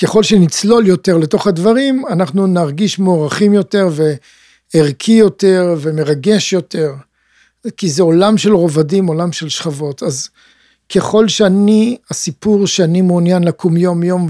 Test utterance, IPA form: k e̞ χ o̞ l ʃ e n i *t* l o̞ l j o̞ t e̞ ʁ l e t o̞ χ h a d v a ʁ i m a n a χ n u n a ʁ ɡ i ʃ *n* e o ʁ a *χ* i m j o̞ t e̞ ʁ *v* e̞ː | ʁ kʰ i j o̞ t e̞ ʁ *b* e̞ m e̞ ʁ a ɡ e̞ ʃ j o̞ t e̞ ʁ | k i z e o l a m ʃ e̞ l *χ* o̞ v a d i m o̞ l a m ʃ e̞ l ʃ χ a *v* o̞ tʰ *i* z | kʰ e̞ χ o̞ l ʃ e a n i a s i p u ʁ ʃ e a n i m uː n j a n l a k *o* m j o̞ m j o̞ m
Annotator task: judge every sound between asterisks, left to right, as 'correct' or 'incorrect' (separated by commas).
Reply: incorrect, incorrect, correct, correct, incorrect, incorrect, correct, incorrect, incorrect